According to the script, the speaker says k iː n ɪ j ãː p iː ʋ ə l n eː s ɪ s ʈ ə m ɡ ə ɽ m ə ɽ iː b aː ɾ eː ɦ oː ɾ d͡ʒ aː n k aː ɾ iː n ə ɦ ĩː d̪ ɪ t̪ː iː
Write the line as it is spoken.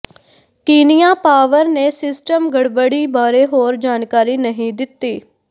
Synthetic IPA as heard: k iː n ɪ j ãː p aː ʋ ə ɾ n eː s ɪ s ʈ ə m ɡ ə ɽ b ə ɽ iː b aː ɾ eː ɦ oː ɾ d͡ʒ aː n k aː ɾ iː n ə ɦ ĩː d̪ ɪ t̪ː iː